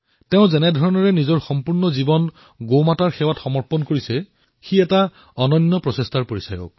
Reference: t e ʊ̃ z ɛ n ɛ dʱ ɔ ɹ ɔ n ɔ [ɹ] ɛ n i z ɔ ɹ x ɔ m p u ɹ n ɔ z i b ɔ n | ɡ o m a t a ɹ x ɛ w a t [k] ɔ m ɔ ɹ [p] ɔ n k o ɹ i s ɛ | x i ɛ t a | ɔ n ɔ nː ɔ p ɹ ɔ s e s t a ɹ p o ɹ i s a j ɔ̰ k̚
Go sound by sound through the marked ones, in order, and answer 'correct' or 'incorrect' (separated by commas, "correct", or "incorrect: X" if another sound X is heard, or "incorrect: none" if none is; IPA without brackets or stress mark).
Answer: correct, incorrect: x, correct